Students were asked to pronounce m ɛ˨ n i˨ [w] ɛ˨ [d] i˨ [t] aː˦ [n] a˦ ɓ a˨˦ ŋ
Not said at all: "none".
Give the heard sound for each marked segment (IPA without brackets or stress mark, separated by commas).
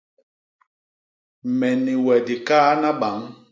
w, d, k, n